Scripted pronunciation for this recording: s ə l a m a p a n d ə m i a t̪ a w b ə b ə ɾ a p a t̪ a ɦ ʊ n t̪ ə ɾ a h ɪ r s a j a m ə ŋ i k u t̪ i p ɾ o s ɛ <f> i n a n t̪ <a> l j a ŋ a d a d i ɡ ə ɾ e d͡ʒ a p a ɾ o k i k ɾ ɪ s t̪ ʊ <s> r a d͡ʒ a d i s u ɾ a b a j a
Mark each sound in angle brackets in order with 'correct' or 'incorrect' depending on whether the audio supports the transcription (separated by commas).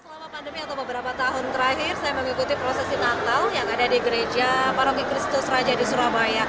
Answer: incorrect, correct, correct